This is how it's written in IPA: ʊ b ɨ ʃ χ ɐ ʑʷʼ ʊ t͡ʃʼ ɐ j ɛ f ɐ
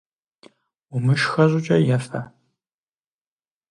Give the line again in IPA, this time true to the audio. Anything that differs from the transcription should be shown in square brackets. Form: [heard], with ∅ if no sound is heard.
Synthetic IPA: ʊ [m] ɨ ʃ [x] ɐ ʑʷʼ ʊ t͡ʃʼ ɐ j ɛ f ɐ